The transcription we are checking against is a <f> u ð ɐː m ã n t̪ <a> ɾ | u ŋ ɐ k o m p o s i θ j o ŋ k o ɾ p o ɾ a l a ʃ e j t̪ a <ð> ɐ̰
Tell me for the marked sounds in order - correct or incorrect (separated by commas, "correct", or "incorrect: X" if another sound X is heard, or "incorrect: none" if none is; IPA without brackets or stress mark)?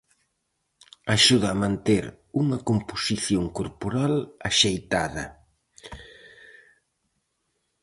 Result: incorrect: ʃ, incorrect: e, correct